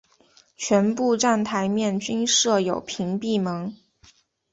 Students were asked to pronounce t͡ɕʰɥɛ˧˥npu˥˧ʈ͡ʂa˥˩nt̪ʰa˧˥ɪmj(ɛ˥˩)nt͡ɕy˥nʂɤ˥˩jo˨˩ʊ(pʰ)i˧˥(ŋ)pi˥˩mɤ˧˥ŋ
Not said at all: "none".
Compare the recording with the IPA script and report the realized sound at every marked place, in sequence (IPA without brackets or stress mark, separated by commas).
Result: ɛ˥˩, pʰ, ŋ